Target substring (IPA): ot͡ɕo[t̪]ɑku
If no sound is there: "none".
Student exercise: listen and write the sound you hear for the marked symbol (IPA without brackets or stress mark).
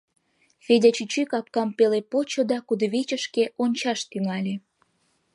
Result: d̪